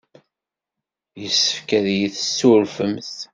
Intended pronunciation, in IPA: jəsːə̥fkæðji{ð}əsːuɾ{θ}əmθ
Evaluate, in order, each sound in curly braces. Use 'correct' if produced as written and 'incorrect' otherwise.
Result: incorrect, incorrect

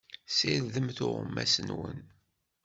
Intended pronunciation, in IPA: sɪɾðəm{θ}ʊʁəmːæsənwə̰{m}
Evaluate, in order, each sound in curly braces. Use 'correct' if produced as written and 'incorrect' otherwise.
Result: correct, incorrect

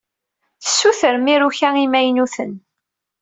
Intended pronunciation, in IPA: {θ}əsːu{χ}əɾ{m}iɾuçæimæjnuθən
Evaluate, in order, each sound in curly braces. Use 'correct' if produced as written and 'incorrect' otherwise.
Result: correct, incorrect, correct

